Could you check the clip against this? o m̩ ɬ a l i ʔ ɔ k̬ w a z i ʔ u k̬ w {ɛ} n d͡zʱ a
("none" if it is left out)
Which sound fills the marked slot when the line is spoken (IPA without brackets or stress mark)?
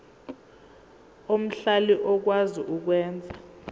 ɛː